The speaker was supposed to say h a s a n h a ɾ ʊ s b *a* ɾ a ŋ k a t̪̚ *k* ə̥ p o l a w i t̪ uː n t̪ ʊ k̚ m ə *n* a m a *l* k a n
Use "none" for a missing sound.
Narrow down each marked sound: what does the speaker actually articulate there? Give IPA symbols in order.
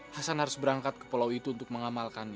ə, k, ŋ, l

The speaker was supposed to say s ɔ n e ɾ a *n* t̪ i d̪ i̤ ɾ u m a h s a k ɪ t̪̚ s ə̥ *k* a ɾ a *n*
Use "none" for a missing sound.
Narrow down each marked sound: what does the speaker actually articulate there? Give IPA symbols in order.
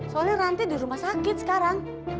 n, k, ŋ

